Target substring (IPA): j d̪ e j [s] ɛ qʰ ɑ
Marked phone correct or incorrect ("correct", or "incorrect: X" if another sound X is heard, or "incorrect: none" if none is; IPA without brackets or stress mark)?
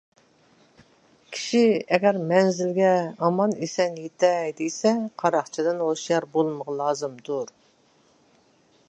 correct